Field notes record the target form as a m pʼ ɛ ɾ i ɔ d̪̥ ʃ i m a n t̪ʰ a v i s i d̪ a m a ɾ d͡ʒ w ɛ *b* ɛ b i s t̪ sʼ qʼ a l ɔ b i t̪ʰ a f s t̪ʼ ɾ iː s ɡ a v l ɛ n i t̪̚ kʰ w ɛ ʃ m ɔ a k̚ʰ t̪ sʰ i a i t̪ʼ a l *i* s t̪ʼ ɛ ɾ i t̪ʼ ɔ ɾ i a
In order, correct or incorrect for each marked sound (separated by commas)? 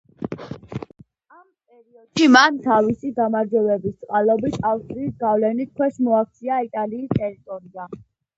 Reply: incorrect, incorrect